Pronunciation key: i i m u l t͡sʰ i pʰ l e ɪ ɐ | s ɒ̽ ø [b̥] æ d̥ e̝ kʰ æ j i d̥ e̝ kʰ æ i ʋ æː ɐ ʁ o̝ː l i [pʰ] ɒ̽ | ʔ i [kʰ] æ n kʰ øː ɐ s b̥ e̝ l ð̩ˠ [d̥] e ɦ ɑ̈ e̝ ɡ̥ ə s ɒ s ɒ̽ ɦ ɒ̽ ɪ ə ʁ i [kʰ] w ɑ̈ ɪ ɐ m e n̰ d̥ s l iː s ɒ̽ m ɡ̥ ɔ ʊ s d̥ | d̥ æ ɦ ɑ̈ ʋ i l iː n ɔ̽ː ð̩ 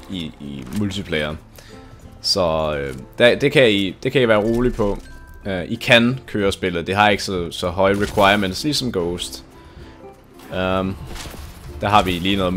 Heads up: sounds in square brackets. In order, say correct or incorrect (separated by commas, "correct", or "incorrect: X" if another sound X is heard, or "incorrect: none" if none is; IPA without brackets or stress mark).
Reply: incorrect: d̥, correct, correct, correct, correct